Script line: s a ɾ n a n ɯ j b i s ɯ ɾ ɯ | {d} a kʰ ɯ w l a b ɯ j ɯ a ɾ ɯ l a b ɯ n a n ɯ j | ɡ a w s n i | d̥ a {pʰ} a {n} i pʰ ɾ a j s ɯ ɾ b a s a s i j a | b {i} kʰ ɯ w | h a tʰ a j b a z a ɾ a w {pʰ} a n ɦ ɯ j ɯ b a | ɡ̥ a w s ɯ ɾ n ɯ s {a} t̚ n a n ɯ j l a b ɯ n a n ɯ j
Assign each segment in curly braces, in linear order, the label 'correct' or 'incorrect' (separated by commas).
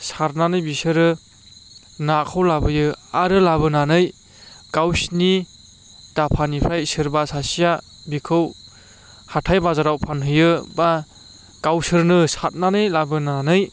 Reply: incorrect, correct, correct, correct, correct, correct